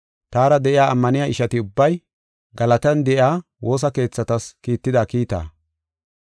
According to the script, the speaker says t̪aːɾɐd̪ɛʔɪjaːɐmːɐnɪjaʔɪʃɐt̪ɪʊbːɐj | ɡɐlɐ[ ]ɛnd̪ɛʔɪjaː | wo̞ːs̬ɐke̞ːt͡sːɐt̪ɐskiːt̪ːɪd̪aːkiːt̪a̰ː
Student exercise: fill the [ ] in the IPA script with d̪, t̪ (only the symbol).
t̪